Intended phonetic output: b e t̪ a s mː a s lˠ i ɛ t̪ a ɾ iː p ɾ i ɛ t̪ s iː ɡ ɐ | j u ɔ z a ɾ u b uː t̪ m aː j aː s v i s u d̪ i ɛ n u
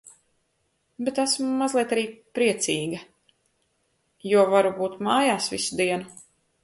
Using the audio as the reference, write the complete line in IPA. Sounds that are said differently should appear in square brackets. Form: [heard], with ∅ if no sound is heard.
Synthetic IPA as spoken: b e t̪ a s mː a [z] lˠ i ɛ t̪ a ɾ iː p ɾ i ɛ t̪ s iː ɡ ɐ | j u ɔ [v] a ɾ u b uː t̪ m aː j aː s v i s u d̪ i ɛ n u